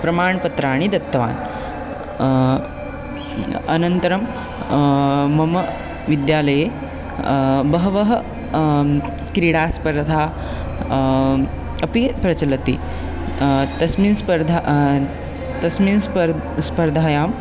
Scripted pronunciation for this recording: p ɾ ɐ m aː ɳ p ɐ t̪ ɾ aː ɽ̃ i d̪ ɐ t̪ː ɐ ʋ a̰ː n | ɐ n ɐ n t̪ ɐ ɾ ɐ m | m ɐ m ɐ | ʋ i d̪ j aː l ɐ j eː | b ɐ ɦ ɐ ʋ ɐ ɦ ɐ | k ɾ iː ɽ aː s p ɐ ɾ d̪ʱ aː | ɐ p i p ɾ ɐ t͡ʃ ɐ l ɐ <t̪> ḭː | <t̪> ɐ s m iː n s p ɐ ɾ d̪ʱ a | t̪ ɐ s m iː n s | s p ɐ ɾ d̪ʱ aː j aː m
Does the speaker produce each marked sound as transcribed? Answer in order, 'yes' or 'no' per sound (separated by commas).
yes, yes